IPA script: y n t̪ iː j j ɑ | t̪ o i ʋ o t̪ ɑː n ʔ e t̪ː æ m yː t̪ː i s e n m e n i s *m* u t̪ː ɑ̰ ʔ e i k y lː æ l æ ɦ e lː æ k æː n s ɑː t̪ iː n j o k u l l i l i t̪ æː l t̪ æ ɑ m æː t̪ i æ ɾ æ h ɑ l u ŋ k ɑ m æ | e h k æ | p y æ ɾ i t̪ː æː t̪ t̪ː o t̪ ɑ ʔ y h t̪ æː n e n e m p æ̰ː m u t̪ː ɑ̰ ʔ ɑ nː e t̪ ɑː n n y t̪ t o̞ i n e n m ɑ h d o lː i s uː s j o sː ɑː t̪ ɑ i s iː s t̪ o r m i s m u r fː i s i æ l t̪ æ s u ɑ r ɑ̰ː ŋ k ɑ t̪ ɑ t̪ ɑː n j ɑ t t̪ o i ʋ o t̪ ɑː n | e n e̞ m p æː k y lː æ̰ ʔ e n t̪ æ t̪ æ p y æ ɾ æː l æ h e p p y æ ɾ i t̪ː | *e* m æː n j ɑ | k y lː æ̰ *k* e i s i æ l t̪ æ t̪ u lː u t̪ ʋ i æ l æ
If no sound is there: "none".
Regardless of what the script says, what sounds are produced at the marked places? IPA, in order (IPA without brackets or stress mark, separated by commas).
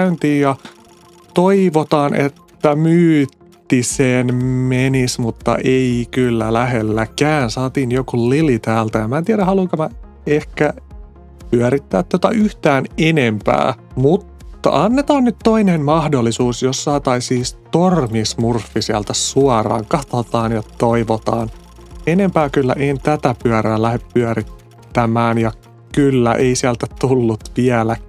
m, æ, ʔ